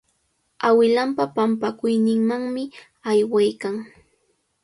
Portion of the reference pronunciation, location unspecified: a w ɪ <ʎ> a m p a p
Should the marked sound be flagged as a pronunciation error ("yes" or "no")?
yes